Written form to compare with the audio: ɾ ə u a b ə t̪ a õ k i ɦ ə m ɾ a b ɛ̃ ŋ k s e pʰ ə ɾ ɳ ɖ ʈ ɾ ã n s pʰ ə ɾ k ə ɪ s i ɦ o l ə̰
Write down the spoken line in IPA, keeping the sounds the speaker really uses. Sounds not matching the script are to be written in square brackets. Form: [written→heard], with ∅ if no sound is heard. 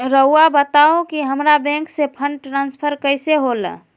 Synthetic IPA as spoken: ɾ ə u a b ə t̪ a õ k i ɦ ə m ɾ a b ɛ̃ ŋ k s e pʰ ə [ɾ→∅] ɳ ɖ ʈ ɾ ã n s pʰ ə ɾ k ə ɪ s [i→e] ɦ o l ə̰